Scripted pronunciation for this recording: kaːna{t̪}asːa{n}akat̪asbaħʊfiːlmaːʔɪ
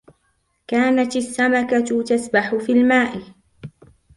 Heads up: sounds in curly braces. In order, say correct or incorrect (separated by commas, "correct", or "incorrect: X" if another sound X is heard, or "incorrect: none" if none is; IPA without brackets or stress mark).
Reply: correct, incorrect: m